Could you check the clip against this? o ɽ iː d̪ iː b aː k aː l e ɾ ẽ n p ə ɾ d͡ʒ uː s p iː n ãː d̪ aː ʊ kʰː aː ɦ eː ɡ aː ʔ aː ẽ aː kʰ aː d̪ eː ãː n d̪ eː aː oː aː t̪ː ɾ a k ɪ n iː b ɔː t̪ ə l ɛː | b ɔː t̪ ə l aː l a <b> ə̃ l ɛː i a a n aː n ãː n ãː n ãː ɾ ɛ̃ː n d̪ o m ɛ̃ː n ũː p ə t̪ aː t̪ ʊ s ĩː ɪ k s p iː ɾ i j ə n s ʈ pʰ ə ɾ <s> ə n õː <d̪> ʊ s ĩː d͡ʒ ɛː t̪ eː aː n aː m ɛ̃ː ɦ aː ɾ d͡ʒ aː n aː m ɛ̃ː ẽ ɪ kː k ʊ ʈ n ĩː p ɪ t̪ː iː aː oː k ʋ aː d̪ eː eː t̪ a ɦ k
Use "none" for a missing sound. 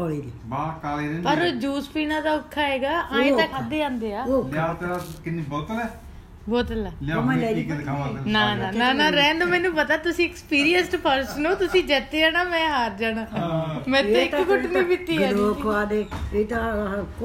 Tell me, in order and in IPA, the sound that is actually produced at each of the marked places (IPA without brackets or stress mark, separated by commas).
m, s, t̪